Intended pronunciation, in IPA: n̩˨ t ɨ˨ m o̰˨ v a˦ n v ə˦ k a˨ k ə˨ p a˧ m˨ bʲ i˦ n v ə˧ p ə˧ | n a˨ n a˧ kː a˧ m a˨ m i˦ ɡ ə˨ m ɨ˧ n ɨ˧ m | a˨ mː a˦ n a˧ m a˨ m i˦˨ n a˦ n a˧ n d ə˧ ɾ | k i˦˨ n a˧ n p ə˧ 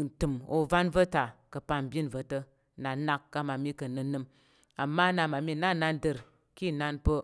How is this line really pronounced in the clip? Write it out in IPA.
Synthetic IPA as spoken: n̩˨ t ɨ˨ m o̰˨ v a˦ n v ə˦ t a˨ k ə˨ p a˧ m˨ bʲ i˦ n v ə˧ t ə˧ | n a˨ n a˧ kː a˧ m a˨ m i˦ k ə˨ n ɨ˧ n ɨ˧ m | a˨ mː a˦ n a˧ m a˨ m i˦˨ n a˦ n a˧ n d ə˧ ɾ | k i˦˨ n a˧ n p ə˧